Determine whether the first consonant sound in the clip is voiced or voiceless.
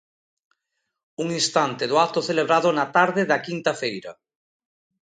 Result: voiced